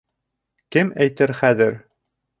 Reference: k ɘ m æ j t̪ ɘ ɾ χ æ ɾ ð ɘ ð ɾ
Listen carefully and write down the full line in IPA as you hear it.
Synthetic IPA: k ɘ m æ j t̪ ɘ ɾ χ æ ð ɘ ɾ